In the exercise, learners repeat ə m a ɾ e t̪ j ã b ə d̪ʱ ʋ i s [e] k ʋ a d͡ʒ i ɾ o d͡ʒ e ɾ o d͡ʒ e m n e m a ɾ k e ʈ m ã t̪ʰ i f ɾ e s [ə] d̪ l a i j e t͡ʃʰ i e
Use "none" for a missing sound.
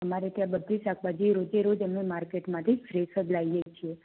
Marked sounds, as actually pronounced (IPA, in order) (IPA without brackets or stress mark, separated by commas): a, ə